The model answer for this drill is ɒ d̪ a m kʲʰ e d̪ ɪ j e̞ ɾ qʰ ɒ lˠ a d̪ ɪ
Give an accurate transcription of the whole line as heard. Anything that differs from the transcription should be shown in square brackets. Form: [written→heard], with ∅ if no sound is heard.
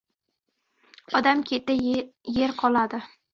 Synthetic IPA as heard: ɒ d̪ a m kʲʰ e [d̪→t̪] ɪ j e̞ ɾ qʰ ɒ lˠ a d̪ ɪ